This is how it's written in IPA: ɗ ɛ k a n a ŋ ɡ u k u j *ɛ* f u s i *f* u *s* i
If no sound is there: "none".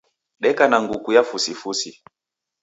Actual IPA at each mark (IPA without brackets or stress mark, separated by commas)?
a, f, s